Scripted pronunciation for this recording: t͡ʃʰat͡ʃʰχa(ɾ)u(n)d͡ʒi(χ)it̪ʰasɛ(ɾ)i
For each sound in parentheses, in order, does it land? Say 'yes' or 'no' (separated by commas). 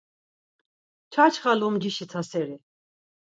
no, no, no, yes